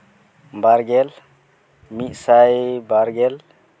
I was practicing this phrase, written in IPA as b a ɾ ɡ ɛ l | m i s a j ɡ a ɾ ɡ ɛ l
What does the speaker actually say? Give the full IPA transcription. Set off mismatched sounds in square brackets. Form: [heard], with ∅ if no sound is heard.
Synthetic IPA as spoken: b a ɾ ɡ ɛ l | m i s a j [b] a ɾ ɡ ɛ l